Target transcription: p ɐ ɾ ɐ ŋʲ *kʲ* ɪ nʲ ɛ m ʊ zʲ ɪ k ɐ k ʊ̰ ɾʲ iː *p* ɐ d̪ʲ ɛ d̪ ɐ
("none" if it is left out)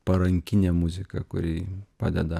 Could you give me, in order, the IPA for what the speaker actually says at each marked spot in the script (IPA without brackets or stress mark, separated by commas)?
kʲ, p